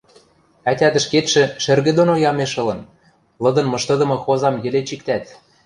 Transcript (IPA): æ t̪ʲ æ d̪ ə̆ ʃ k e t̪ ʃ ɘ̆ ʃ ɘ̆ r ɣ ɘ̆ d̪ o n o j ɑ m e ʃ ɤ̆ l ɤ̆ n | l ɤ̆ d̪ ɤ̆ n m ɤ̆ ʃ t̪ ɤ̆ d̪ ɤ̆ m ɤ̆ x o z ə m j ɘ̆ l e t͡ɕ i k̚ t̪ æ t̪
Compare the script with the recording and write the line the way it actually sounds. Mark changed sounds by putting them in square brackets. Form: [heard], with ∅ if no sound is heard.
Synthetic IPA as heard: æ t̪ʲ æ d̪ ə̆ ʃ k e t̪ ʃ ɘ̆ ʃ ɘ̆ r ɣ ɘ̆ d̪ o n o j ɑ m e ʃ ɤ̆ l ɤ̆ n | l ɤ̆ d̪ ɤ̆ n m ɤ̆ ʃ t̪ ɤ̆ d̪ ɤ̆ m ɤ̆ x o z [ɑ] m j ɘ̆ l e t͡ɕ i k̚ t̪ æ t̪